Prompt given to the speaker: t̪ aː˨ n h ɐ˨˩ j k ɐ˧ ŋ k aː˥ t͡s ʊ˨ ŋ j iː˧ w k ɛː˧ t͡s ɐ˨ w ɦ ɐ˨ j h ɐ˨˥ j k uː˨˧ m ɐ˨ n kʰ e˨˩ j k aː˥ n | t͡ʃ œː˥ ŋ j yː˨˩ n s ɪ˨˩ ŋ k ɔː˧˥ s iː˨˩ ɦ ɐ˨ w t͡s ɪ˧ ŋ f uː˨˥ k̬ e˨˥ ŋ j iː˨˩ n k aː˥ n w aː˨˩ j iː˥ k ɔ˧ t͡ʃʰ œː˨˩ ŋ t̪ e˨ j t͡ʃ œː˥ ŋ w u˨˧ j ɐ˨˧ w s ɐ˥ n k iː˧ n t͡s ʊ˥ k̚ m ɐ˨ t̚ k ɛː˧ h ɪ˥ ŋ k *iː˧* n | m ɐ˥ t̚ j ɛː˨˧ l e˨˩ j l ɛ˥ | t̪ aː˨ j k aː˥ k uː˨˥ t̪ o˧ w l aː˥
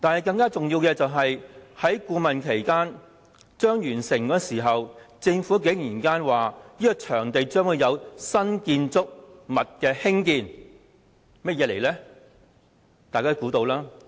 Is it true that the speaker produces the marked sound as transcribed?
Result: yes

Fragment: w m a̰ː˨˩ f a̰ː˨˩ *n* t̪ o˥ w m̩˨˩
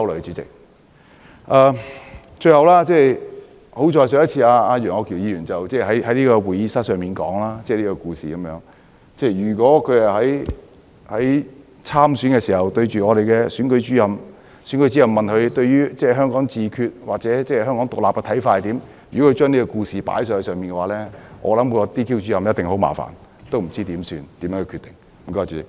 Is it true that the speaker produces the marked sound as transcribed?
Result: yes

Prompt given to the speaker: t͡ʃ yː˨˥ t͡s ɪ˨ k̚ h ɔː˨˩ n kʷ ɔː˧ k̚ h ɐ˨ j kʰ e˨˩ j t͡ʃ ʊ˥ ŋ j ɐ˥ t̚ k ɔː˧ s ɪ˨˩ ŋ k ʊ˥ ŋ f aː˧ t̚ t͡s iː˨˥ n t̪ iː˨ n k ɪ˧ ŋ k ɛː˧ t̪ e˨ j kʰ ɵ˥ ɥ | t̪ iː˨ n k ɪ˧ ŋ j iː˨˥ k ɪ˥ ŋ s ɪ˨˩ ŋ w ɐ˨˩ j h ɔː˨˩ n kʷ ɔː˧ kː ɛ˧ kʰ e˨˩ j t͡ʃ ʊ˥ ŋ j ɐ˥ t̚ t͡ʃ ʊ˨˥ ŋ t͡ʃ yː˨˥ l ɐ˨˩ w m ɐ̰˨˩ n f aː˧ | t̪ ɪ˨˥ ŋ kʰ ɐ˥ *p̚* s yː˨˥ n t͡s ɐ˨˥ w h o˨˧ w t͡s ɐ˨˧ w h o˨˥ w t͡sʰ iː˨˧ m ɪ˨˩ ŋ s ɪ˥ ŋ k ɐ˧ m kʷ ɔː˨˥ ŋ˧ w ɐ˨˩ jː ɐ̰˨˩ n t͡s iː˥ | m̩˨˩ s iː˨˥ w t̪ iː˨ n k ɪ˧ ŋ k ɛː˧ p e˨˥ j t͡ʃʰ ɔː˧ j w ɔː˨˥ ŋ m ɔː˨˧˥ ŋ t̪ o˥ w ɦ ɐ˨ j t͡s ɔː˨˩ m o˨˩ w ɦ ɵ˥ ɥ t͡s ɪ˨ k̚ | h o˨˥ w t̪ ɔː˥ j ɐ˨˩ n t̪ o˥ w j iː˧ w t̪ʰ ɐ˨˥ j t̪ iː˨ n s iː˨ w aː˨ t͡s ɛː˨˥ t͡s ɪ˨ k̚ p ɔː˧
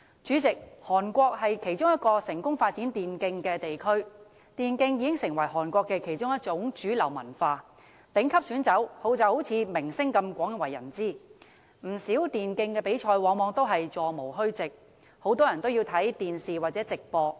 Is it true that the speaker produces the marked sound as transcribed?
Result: yes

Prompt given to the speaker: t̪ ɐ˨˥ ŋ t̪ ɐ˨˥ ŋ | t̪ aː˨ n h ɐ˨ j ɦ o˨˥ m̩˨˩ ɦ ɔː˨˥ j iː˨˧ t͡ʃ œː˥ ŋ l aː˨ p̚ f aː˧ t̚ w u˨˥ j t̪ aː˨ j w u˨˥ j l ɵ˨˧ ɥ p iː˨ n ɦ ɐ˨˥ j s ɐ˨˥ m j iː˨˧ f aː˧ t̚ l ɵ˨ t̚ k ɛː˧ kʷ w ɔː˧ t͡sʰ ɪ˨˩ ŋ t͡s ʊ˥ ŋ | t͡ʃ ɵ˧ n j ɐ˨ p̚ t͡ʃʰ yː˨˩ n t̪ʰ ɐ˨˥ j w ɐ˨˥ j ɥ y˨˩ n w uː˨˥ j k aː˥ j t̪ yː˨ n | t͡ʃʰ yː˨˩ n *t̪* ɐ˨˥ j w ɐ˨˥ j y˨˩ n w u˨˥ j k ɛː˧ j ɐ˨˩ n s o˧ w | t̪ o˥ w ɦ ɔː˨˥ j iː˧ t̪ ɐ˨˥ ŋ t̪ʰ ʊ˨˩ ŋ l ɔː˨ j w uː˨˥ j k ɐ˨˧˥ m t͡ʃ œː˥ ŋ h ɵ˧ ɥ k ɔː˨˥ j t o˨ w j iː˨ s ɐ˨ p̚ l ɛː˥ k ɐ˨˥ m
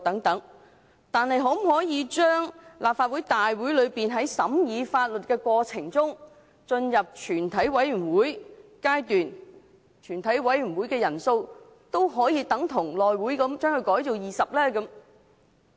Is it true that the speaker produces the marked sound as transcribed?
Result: no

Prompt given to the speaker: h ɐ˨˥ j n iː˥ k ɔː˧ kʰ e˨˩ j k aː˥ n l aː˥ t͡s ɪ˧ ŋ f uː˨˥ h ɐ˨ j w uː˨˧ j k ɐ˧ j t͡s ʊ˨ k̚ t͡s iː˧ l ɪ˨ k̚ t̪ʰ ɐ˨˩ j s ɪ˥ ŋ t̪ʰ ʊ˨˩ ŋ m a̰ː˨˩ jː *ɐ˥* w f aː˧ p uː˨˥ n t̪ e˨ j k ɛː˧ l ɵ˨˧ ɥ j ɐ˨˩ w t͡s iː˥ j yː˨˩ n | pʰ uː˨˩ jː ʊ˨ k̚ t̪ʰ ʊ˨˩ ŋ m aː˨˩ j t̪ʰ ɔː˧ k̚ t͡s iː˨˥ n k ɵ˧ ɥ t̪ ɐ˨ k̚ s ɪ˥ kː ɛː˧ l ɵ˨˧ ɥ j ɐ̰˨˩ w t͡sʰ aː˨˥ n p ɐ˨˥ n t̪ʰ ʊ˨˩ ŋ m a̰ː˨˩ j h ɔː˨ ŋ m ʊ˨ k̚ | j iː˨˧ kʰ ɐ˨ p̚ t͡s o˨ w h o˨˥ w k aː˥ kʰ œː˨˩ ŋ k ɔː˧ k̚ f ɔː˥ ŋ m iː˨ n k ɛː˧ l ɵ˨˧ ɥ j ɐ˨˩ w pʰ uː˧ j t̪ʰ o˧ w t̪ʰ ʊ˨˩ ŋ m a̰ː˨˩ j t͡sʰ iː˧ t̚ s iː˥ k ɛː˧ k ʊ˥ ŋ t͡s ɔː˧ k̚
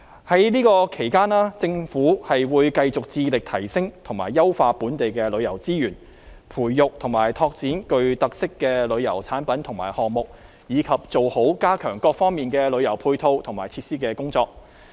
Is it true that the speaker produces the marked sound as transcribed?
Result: yes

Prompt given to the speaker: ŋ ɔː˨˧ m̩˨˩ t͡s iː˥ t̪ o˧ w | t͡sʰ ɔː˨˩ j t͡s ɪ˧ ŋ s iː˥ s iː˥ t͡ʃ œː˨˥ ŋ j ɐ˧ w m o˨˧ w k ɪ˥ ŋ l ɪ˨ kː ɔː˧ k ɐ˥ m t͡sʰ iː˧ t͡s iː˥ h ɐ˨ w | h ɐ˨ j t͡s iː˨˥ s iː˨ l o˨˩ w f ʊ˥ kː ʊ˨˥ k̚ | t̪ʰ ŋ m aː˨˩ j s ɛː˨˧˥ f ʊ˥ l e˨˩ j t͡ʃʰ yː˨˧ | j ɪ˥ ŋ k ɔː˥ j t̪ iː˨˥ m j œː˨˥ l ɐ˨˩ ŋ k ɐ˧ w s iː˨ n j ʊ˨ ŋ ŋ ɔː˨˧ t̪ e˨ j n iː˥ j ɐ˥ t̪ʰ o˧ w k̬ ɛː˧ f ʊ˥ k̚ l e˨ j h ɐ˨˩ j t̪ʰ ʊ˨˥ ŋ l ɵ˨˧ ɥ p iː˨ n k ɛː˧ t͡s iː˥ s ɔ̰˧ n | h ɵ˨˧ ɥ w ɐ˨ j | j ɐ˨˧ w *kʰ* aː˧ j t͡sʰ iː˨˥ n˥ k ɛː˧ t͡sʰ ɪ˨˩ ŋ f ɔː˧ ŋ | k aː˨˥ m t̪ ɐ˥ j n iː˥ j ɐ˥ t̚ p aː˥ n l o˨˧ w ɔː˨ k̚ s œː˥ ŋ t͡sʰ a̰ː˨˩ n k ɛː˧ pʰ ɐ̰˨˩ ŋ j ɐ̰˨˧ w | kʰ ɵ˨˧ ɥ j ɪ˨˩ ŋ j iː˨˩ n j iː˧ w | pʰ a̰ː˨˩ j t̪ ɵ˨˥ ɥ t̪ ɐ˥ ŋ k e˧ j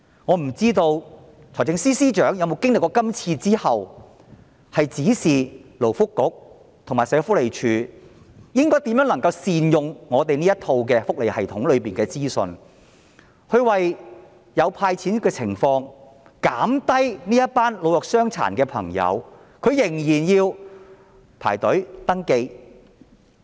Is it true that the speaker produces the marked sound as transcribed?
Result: no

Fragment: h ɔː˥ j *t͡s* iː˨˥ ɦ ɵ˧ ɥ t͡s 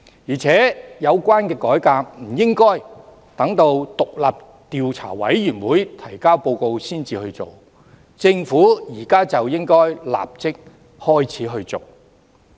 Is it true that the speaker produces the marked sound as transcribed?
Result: no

